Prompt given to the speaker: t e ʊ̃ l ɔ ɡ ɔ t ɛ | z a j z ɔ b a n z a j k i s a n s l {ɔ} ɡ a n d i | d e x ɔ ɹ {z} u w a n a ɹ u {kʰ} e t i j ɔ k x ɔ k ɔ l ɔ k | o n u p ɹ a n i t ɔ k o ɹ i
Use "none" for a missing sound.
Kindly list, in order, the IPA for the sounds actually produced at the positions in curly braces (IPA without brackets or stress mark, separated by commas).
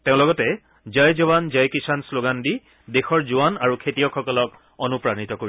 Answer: o, z, kʰ